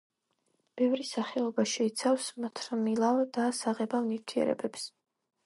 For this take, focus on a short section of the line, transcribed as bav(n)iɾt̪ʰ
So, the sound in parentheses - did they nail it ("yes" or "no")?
yes